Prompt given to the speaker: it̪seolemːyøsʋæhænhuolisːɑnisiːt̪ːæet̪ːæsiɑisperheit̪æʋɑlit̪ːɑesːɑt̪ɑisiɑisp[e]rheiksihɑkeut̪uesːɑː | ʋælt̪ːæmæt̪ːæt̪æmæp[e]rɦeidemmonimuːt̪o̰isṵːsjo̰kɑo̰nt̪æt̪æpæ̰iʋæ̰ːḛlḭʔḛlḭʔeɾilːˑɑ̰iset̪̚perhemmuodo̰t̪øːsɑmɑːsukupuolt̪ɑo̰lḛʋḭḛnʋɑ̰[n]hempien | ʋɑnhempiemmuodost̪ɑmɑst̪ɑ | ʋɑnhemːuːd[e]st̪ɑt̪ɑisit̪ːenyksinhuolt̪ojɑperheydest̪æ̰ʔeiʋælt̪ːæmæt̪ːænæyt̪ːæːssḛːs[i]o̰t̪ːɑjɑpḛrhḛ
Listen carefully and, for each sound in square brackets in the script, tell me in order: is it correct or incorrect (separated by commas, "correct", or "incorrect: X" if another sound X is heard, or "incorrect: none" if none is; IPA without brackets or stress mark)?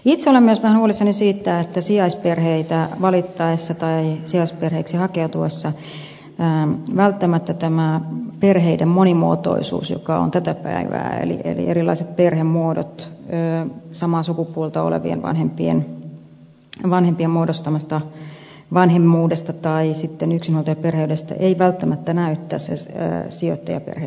correct, correct, correct, correct, correct